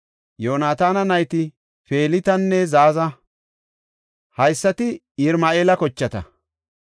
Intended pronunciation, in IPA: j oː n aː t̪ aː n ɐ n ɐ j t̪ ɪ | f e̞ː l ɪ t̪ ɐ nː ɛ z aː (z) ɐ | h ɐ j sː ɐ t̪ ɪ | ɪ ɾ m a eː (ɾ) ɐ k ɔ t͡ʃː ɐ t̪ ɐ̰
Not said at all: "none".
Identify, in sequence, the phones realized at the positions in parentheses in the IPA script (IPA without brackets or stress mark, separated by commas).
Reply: z, l